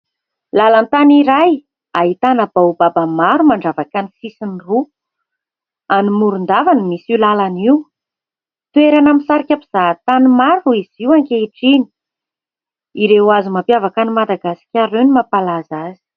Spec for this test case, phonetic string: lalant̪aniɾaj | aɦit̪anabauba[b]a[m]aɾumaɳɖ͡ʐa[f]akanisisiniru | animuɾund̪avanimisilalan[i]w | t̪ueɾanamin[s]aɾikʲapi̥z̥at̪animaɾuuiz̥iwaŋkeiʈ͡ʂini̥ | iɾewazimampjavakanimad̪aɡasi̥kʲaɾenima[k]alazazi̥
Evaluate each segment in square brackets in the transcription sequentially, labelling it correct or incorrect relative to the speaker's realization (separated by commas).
correct, correct, incorrect, correct, correct, incorrect